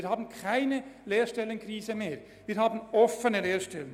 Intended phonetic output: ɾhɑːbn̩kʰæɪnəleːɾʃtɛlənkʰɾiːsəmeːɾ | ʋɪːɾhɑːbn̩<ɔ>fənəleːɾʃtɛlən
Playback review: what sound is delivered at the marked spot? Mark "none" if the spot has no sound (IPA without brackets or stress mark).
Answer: ɔ